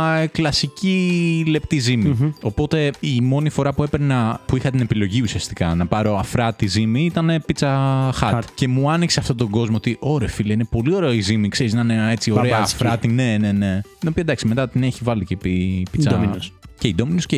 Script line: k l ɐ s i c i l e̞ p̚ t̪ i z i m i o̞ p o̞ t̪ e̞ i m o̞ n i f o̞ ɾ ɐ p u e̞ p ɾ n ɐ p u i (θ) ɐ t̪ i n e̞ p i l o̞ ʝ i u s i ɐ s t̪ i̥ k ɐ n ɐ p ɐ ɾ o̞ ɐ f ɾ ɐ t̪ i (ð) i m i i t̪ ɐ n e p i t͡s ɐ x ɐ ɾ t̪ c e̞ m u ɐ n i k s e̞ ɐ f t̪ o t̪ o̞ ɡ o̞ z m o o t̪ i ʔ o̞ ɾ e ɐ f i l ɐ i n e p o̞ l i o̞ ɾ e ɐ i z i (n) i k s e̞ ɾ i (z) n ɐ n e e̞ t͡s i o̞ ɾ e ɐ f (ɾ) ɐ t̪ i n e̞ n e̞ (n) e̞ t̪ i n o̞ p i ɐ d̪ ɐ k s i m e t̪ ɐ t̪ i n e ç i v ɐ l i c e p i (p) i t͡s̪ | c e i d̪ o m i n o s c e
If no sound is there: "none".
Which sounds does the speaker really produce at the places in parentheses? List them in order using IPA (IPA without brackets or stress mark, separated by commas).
x, z, m, z, ɾ, n, p